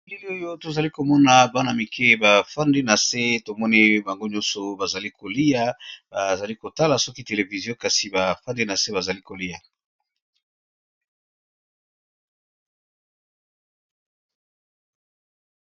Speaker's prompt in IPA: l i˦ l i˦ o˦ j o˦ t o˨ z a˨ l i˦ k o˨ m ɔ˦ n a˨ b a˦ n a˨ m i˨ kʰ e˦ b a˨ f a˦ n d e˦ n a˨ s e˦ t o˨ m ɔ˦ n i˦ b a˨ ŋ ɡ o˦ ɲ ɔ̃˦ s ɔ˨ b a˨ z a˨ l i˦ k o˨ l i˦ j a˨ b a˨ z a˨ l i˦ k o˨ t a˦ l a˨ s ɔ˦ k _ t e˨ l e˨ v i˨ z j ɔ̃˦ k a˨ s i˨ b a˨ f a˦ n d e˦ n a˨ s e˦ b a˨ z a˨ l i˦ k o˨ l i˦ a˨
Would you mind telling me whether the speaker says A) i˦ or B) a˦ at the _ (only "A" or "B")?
A